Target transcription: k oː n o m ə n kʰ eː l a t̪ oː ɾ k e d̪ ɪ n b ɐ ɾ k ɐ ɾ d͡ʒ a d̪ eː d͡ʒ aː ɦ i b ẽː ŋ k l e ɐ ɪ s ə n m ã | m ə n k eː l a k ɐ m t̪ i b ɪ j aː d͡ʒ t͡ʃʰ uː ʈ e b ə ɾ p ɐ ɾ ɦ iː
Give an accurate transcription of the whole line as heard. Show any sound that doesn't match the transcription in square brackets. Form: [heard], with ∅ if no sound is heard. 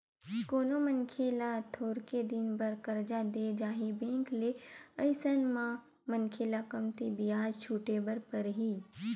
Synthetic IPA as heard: k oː n o m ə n kʰ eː l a [t̪ʰ] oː ɾ k e d̪ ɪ n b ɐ ɾ k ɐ ɾ d͡ʒ a d̪ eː d͡ʒ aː ɦ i b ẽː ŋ k l e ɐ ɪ s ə n m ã | m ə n [kʰ] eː l a k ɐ m t̪ i b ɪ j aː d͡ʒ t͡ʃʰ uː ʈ e b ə ɾ p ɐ ɾ ɦ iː